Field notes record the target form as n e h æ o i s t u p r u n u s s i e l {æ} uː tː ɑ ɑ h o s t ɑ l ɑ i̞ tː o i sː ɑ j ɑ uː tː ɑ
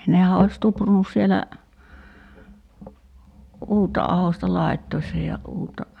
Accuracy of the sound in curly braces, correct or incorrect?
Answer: correct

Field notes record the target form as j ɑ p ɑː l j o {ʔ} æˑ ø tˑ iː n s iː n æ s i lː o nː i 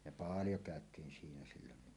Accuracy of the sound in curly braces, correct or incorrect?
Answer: incorrect: k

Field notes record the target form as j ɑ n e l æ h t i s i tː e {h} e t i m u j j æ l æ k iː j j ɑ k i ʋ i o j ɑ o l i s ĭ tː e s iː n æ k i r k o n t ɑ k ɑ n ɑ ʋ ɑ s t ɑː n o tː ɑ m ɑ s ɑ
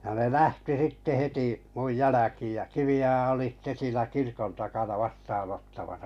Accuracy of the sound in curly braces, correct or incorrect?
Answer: correct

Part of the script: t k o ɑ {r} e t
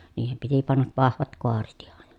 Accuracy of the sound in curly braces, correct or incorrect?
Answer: correct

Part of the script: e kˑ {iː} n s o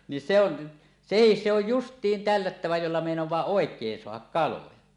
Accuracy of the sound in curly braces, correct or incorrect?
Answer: incorrect: eː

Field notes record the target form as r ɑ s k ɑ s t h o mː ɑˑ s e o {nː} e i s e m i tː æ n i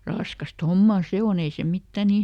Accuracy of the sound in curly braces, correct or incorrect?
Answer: incorrect: n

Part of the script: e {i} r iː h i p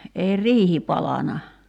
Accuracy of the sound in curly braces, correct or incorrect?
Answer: correct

